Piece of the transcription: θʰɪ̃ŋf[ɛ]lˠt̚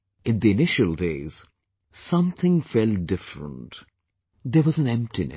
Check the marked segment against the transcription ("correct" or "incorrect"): correct